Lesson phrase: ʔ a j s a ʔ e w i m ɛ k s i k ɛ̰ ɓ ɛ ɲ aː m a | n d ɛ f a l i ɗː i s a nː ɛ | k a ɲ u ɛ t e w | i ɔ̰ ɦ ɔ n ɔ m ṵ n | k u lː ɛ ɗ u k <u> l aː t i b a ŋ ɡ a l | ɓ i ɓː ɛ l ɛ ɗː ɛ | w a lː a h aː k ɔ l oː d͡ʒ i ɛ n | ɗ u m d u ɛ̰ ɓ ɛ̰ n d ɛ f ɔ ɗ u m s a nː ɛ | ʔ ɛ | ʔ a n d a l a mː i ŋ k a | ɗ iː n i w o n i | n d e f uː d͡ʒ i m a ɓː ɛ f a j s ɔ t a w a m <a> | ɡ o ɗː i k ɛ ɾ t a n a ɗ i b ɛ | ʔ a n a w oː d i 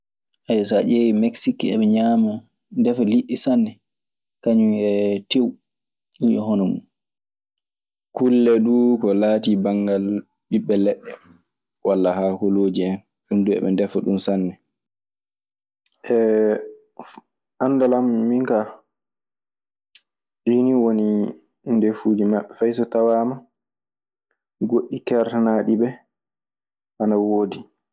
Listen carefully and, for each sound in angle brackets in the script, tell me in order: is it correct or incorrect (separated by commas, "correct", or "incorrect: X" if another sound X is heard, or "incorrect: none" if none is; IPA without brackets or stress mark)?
incorrect: ɔ, correct